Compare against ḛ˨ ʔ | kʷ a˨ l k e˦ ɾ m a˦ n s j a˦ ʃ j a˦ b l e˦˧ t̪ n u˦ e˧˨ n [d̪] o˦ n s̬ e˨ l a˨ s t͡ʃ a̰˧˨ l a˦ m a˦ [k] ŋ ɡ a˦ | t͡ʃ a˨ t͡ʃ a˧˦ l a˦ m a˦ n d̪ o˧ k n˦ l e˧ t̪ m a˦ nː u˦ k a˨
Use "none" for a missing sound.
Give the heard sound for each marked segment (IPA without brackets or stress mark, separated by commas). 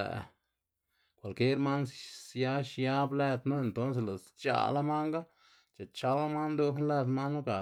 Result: t̪, none